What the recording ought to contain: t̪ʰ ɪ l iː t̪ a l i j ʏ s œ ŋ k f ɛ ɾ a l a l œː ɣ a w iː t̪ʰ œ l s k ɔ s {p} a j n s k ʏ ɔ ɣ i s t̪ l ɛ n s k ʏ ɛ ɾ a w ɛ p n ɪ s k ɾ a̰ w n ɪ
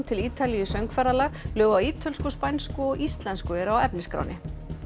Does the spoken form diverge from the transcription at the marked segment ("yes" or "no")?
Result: no